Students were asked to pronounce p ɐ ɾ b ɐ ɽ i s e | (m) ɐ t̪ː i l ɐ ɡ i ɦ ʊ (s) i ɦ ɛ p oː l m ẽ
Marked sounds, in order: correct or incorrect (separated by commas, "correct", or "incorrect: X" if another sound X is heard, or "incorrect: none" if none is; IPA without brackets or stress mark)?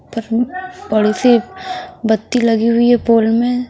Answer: incorrect: b, incorrect: none